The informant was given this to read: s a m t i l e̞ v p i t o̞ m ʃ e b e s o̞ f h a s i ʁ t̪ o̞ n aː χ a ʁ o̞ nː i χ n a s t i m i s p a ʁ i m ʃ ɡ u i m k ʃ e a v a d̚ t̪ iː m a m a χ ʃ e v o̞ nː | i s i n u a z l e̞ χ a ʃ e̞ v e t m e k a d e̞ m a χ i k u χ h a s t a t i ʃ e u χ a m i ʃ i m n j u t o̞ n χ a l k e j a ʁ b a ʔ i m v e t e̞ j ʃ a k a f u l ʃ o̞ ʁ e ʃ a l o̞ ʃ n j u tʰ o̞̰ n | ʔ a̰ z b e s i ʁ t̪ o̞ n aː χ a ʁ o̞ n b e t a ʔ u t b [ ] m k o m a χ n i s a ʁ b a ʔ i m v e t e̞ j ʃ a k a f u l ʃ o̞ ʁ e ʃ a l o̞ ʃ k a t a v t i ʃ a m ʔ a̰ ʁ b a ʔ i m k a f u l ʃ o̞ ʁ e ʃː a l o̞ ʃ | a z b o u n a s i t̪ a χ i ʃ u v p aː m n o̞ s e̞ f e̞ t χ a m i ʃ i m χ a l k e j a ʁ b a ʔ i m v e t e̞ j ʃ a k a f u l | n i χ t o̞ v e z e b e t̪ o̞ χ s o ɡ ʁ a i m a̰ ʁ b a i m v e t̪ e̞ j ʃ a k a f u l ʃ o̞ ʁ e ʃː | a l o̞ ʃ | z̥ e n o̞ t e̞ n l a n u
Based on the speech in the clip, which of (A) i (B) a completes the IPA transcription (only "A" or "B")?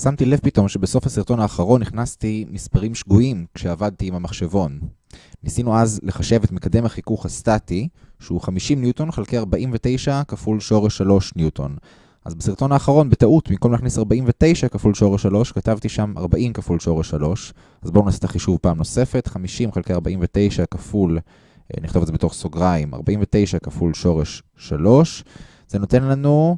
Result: A